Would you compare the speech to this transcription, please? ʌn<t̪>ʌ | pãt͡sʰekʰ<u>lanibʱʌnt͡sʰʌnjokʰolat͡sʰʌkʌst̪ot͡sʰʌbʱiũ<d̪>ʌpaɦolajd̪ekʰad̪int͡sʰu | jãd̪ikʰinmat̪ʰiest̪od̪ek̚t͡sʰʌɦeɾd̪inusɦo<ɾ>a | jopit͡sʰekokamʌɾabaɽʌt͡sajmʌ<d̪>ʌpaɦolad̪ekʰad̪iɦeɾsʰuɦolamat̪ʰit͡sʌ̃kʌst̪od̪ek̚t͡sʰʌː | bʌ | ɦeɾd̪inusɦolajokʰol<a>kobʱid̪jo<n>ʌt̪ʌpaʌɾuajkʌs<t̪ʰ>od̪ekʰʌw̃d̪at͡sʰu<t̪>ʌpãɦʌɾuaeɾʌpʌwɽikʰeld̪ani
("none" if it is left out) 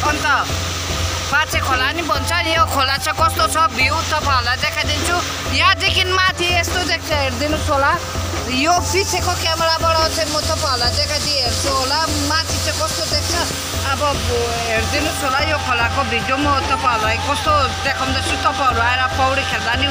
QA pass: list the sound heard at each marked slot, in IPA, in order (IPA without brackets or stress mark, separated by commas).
t̪, o, t̪, l, t̪, a, m, t̪, t̪